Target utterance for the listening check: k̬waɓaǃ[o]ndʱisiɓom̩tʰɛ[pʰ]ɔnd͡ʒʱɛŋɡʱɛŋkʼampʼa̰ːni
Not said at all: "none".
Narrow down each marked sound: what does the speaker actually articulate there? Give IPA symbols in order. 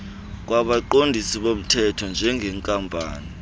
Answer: o, tʰ

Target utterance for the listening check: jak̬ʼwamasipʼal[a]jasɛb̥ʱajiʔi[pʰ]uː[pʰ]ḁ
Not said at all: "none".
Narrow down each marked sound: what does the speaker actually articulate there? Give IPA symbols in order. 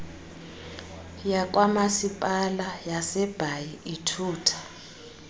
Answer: a, tʰ, tʰ

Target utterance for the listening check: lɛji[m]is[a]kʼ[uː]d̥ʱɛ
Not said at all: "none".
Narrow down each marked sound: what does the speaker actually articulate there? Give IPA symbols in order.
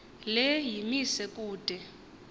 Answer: m, ɛ, uː

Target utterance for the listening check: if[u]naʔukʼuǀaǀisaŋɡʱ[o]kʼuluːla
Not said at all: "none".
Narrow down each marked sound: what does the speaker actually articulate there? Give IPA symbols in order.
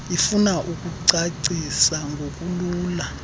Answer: u, o

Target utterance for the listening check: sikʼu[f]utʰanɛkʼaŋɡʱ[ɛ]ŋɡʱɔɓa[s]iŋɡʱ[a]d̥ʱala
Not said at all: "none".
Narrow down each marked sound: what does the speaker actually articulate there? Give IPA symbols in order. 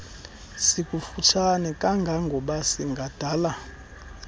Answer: f, a, s, a

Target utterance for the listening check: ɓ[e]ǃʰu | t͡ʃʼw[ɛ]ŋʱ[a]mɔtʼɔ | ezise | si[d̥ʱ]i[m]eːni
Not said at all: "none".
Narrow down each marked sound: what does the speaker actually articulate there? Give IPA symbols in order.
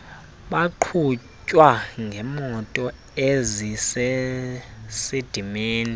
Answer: a, a, ɛ, d̥ʱ, m

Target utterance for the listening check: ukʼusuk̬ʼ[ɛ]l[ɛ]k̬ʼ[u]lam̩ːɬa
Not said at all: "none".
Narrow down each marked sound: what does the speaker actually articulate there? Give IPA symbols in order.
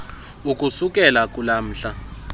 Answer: ɛ, a, u

